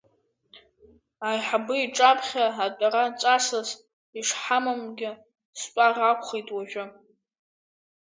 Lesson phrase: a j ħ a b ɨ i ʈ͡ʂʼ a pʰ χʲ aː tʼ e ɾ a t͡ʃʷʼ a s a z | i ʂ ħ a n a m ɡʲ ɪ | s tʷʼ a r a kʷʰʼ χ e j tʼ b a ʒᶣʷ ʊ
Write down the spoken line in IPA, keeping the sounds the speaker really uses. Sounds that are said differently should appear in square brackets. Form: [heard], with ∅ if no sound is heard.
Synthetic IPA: a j ħ a b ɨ i ʈ͡ʂʼ a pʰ χʲ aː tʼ [a] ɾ a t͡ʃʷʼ a s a z | i ʂ ħ a [m] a m ɡʲ ɪ | s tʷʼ a r a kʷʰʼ χ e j tʼ [w] a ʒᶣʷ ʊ